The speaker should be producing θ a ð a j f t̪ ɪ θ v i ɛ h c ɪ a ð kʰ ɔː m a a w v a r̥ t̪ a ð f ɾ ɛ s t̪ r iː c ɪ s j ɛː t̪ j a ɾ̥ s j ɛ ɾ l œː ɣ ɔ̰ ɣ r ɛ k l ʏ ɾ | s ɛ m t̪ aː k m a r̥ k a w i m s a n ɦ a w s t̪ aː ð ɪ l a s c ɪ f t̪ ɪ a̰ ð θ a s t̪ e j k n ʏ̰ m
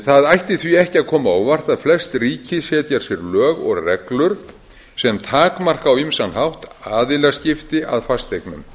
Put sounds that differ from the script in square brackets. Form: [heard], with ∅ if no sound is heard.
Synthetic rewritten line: θ a ð a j [h] t̪ ɪ θ v i ɛ h c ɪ a ð kʰ ɔː m a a w v a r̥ t̪ a ð f [l] ɛ s t̪ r iː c ɪ s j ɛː t̪ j a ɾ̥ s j ɛ ɾ l œː ɣ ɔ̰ ɣ r ɛ k l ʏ ɾ | s ɛ m [t̪ʰ] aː k m a r̥ k a w i m s a n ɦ a w [h] t̪ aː ð ɪ l a s c ɪ f t̪ ɪ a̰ ð [f] a s t̪ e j k n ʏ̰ m